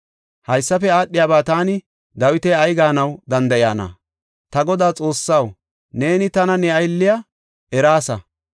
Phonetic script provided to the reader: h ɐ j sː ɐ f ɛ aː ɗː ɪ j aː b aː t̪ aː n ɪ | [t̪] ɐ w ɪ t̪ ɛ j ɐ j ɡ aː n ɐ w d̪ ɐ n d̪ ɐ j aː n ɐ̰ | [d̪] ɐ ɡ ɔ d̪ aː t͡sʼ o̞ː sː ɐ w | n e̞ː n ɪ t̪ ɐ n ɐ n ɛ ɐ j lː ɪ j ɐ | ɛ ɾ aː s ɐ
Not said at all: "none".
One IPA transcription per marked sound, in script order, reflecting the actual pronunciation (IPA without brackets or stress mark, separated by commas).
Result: d̪, t̪